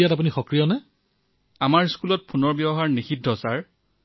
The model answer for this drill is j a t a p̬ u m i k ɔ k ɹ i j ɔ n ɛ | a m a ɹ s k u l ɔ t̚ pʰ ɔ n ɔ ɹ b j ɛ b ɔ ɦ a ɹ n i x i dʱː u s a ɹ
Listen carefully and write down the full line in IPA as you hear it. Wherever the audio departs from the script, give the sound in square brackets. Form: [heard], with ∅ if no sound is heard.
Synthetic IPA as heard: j a t a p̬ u [n] i [x] ɔ k ɹ i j ɔ n ɛ | a m a ɹ s k u l ɔ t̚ pʰ [u] n ɔ ɹ b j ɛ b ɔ ɦ a ɹ n i x i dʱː [ɔ] s a ɹ